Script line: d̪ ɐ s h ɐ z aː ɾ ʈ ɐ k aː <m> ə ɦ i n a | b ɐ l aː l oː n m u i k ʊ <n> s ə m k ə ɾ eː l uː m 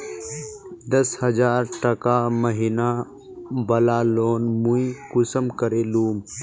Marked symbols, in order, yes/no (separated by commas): yes, no